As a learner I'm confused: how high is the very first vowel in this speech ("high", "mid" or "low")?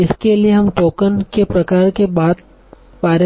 high